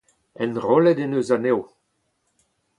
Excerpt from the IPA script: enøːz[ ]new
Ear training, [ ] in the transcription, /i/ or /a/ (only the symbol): a